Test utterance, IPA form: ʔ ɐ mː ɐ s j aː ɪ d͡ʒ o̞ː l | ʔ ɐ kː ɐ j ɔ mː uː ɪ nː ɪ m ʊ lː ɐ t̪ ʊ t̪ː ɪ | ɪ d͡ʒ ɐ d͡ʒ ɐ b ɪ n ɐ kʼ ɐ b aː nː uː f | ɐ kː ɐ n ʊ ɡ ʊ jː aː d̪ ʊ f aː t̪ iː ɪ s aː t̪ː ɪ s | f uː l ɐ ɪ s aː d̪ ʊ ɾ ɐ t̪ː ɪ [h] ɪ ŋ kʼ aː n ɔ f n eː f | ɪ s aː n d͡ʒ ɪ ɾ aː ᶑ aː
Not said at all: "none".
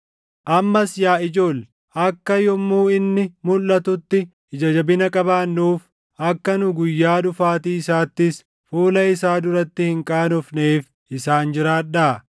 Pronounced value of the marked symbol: h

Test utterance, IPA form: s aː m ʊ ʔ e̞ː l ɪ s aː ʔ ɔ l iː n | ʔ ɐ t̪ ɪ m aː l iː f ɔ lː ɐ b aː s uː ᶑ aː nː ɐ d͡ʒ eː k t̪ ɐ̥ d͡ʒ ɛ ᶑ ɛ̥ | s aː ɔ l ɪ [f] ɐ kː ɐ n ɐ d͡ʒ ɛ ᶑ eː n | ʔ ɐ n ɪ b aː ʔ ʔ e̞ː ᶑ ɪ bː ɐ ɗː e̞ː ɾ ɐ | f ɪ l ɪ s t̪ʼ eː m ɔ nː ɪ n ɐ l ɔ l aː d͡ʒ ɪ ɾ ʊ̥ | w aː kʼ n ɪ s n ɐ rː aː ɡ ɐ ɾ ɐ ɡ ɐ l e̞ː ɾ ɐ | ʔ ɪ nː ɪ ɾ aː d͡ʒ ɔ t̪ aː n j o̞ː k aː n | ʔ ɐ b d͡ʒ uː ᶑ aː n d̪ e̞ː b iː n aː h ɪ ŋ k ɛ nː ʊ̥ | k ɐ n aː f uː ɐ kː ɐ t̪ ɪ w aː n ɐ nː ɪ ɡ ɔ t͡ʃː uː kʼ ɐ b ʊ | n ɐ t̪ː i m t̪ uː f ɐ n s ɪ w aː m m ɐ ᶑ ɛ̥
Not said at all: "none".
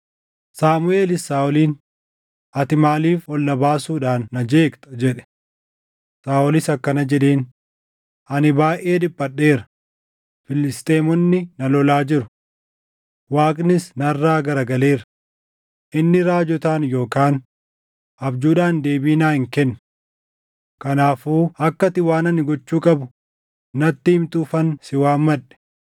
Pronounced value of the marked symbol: s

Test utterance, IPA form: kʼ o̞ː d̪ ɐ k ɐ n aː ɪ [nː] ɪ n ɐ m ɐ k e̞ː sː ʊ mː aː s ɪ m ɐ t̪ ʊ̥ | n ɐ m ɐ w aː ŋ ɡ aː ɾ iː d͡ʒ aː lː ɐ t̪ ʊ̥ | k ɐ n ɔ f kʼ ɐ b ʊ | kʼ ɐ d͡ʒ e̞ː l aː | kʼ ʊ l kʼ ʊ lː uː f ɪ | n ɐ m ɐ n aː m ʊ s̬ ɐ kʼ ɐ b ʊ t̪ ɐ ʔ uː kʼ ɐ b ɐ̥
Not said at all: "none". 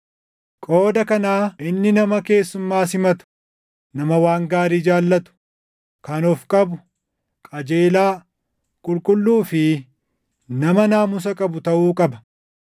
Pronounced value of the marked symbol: nː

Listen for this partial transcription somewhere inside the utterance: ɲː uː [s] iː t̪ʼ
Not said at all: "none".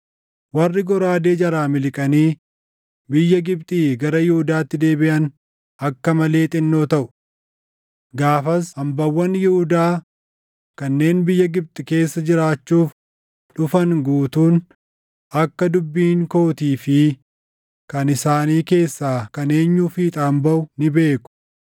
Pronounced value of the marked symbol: f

